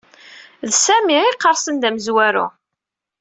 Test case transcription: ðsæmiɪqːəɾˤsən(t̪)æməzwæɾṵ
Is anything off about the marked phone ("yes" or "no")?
yes